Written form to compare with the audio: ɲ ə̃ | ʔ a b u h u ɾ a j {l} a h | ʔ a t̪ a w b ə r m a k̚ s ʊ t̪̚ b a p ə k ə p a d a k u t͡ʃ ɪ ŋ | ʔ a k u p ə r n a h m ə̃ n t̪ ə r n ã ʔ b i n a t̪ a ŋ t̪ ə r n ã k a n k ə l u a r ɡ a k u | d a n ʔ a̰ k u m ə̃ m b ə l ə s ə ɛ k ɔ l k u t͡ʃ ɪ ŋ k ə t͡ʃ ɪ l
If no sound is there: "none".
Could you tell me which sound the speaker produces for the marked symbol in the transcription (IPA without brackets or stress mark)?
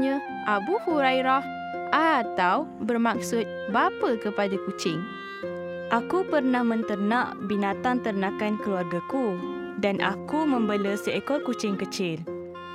ɾ